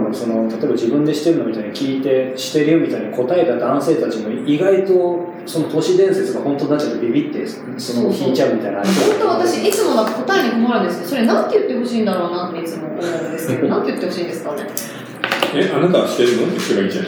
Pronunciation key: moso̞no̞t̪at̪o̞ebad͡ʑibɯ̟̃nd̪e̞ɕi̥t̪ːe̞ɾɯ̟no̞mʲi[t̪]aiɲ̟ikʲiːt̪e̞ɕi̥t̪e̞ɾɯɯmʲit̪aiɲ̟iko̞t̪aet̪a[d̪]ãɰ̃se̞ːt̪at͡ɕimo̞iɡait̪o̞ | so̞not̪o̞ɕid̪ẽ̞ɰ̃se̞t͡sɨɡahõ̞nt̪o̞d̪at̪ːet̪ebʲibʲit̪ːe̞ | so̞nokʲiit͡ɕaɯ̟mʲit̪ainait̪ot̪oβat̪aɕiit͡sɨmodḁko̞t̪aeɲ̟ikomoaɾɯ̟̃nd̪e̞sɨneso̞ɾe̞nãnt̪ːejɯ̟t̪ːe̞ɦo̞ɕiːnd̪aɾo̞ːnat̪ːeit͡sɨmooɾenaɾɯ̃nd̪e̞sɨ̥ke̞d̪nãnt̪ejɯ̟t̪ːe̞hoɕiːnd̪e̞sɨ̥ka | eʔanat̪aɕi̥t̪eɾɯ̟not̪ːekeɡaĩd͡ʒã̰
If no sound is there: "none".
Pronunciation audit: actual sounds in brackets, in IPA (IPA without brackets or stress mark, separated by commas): t̪, d̪